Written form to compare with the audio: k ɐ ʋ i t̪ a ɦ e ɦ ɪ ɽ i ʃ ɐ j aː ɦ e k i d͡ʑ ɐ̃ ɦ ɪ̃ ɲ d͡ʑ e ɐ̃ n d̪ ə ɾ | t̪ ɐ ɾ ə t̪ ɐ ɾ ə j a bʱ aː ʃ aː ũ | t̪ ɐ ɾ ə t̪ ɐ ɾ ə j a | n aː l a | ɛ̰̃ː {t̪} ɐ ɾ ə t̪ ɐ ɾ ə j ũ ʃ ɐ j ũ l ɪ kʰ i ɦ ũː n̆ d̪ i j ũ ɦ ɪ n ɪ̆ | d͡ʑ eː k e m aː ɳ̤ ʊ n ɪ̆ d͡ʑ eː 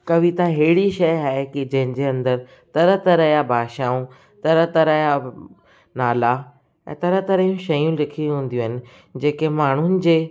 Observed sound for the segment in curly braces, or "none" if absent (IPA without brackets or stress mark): t̪